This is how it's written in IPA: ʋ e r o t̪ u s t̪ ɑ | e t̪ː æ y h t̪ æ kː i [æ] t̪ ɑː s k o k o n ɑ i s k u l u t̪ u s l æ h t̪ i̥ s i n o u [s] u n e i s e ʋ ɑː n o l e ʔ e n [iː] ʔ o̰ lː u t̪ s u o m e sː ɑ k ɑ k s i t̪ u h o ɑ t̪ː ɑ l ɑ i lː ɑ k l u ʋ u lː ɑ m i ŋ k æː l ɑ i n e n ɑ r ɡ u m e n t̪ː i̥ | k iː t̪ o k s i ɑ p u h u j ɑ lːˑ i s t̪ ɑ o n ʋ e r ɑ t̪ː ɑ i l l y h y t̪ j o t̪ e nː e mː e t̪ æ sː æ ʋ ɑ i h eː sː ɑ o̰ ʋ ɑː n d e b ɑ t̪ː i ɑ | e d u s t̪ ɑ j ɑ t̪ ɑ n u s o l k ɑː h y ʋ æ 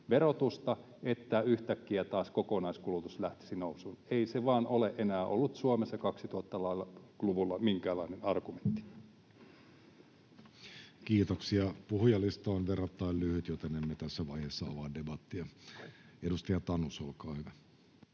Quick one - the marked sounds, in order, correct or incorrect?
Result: correct, correct, incorrect

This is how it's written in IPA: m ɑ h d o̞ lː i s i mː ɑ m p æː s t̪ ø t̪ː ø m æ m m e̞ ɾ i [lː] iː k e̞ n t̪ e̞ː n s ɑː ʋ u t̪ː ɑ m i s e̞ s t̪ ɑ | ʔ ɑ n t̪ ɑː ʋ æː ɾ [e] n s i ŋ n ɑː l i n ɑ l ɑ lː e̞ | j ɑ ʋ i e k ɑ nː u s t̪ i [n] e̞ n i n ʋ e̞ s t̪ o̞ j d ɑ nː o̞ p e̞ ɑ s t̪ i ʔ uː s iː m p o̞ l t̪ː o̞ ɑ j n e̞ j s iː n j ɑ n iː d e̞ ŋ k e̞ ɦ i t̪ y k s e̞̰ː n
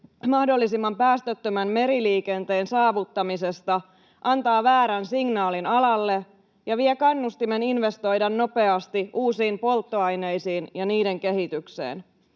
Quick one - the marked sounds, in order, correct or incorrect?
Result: incorrect, incorrect, incorrect

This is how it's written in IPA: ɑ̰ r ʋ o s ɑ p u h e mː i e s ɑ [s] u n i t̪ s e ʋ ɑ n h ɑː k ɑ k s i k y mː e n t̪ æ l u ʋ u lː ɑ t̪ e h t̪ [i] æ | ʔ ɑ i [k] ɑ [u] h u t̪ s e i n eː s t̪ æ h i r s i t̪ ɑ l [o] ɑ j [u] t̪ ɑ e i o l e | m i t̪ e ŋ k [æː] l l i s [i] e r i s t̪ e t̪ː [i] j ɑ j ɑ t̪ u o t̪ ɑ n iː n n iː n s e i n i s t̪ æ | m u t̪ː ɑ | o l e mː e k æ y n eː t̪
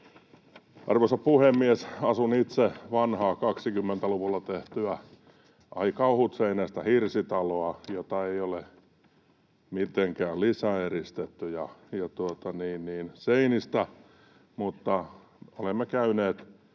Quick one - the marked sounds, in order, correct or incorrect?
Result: correct, incorrect, correct, correct, correct, incorrect, correct, incorrect, incorrect

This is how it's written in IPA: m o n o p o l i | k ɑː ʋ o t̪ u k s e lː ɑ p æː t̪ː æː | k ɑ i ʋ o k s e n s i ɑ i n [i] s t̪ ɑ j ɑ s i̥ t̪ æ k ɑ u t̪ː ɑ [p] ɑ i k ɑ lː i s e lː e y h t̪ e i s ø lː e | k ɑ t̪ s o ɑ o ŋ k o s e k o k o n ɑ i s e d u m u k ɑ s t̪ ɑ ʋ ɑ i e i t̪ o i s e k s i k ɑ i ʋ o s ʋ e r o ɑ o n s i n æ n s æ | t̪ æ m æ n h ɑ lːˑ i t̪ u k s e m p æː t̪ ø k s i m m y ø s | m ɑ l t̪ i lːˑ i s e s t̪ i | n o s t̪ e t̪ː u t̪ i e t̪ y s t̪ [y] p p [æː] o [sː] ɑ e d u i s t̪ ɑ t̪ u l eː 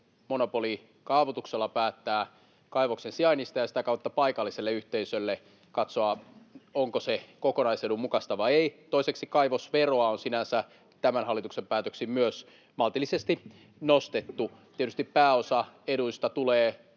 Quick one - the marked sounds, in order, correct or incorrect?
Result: correct, correct, incorrect, correct, incorrect

